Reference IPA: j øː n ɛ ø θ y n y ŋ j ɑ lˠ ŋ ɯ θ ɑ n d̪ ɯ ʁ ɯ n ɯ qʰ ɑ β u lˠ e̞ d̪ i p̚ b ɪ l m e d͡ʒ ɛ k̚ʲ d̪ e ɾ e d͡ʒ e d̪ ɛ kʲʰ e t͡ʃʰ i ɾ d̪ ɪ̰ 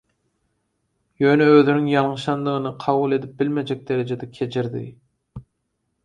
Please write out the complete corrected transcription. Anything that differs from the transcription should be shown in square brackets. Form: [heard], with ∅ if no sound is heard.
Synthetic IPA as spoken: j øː n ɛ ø [ð] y n y ŋ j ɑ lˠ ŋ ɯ [ʃ] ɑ n d̪ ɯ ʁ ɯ n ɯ qʰ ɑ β u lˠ e̞ d̪ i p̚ b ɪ l m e d͡ʒ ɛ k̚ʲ d̪ e ɾ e d͡ʒ e d̪ ɛ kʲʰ e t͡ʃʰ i ɾ d̪ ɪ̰